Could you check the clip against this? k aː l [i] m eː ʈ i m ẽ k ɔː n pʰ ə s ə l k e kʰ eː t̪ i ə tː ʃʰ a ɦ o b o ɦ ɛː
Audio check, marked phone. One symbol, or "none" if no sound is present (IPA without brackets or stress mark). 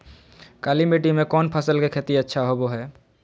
i